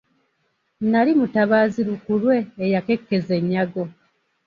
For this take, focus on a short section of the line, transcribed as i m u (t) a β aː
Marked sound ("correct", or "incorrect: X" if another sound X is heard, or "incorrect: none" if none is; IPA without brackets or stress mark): correct